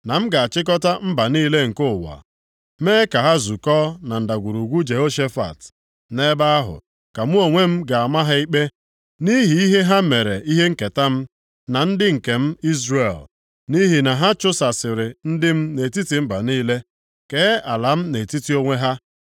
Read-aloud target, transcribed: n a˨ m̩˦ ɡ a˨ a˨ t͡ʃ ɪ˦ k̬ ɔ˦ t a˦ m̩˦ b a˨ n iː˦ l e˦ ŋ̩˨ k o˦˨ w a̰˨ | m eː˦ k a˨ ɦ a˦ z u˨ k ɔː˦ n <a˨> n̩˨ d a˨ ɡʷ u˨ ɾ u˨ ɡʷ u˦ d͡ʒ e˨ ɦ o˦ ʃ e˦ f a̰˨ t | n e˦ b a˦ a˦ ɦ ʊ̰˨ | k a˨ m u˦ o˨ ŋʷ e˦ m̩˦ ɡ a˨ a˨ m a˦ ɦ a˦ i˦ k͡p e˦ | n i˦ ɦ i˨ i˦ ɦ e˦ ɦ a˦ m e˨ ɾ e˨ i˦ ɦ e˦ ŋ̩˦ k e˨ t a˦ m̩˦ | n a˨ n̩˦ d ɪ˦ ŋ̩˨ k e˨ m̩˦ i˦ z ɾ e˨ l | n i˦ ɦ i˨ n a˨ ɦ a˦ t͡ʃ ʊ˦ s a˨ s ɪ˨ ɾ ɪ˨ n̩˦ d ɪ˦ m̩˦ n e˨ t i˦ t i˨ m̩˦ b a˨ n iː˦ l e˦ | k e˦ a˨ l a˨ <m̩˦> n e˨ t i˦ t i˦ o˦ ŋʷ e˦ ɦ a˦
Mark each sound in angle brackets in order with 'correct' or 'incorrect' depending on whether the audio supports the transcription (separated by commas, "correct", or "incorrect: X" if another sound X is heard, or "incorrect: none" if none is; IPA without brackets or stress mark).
correct, correct